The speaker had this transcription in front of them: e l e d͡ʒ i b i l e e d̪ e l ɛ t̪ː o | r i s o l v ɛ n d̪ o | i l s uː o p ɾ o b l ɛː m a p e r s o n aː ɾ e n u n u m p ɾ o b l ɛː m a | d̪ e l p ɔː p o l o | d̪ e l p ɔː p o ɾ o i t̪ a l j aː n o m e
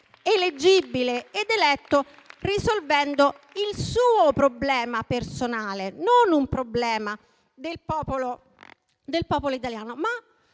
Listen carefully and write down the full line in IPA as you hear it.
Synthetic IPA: e l e d͡ʒ i b i l e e d̪ e l ɛ t̪ː o | r i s o l v ɛ n d̪ o | i l s uː o p ɾ o b l ɛː m a p e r s o n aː l e n o n u m p ɾ o b l ɛː m a | d̪ e l p ɔː p o l o | d̪ e l p ɔː p o l o i t̪ a l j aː n o m a